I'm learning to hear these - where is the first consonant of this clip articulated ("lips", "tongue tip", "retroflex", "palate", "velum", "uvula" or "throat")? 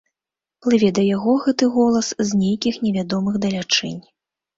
lips